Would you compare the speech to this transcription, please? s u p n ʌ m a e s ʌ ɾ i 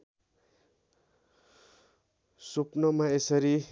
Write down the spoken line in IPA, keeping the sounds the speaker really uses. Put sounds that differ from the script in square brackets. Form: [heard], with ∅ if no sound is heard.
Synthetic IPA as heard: s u p n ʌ m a e s ʌ ɾ i